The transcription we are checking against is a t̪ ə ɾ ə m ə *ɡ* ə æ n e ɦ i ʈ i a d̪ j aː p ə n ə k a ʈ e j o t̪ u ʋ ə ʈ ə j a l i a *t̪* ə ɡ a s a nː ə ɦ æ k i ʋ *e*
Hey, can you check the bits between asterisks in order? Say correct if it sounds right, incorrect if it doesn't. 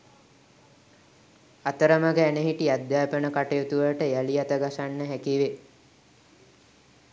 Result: correct, correct, correct

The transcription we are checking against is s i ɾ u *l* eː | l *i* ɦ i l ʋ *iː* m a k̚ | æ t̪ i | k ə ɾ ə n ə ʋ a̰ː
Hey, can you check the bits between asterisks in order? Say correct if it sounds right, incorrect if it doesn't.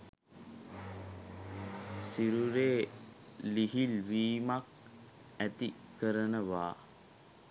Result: incorrect: ɾ, correct, correct

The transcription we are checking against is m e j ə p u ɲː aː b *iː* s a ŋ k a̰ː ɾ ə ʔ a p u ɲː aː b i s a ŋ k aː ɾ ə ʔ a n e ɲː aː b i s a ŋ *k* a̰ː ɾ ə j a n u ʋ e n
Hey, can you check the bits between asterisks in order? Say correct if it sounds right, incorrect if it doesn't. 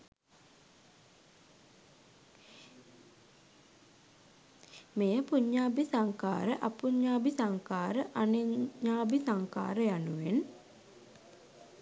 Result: incorrect: i, correct

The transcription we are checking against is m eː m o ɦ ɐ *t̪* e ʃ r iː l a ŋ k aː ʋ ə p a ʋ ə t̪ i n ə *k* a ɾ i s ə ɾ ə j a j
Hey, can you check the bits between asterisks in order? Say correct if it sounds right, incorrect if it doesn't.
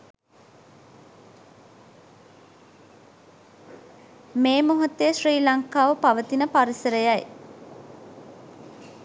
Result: correct, incorrect: p

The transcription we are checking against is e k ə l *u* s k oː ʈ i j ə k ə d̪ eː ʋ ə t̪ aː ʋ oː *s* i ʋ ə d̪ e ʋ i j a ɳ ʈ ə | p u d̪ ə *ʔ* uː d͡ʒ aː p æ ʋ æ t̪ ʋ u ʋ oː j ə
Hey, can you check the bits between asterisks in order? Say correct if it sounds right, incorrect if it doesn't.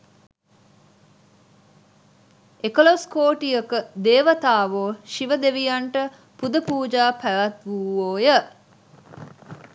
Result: incorrect: o, incorrect: ʃ, incorrect: p

